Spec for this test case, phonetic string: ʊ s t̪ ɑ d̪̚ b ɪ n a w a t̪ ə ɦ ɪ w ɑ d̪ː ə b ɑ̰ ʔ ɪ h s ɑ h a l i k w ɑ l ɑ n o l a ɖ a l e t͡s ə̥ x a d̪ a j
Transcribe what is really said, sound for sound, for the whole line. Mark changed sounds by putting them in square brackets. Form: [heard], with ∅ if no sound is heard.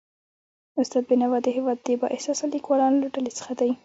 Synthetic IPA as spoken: ʊ s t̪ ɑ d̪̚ b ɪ n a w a [d̪] ə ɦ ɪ w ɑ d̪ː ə b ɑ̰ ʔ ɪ h s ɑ [s] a l i k w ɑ l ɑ n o l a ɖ a l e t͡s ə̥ x a d̪ a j